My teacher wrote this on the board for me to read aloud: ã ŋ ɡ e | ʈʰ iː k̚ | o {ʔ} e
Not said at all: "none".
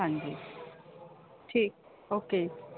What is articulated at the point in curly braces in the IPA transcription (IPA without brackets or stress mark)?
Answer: k